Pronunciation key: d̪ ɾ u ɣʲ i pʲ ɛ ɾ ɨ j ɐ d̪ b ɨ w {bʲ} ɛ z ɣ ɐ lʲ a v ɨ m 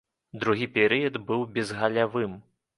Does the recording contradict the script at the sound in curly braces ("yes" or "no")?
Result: no